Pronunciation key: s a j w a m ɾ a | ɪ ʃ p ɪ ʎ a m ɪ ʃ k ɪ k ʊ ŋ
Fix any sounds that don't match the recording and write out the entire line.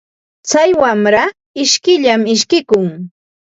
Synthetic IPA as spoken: t͡s a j w a m ɾ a | ɪ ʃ k ɪ ʎ a m ɪ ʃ k ɪ k ʊ ŋ